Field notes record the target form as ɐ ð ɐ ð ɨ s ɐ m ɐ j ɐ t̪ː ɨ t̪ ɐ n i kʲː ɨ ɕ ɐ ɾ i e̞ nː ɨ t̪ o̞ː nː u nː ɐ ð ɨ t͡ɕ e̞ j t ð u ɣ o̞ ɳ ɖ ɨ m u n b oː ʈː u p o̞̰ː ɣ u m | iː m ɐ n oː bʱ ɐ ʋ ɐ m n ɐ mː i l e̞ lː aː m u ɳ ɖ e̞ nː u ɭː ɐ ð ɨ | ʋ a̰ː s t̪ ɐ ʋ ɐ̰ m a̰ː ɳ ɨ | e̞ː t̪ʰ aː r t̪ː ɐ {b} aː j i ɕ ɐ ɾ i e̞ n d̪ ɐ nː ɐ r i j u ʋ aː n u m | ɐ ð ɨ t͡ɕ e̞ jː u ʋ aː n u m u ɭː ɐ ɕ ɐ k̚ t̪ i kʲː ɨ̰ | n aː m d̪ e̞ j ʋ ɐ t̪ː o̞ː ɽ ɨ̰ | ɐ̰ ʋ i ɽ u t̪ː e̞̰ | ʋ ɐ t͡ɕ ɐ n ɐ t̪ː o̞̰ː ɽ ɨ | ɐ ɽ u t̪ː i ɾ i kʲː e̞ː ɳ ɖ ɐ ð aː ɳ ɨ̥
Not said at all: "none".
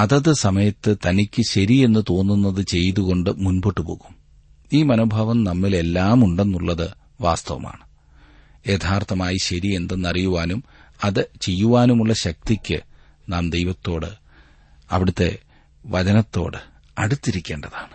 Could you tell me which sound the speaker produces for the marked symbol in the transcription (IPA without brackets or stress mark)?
m